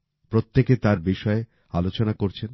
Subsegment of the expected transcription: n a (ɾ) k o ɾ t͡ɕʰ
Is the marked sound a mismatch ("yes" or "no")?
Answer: yes